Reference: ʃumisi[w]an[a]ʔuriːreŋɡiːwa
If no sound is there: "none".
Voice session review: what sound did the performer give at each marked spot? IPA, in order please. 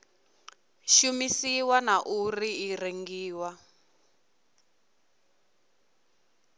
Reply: w, a

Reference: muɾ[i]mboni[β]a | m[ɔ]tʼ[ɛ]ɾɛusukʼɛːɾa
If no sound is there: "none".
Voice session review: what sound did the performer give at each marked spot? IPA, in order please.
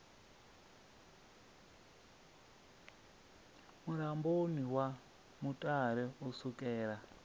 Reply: a, w, u, a

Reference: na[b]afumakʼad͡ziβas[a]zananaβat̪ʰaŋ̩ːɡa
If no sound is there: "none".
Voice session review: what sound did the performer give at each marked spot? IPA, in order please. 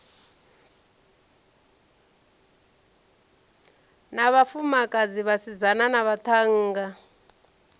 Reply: β, i

